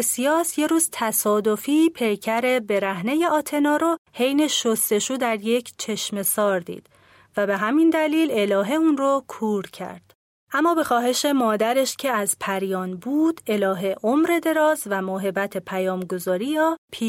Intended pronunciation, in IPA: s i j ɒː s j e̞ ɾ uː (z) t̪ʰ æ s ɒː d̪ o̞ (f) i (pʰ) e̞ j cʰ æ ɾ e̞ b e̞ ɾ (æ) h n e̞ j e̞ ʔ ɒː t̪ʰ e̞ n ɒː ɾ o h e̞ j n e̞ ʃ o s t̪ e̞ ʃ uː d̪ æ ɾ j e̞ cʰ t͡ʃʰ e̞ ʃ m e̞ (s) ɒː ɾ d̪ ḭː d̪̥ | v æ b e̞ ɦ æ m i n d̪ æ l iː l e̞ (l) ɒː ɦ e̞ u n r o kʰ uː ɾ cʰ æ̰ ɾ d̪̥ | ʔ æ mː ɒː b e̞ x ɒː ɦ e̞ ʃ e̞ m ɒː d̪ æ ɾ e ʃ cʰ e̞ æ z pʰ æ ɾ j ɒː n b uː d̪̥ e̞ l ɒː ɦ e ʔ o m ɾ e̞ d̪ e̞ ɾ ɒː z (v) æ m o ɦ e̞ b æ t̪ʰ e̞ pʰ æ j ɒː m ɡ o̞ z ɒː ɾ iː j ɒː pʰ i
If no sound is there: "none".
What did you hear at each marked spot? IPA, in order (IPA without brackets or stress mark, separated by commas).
z, f, pʰ, æ, s, l, v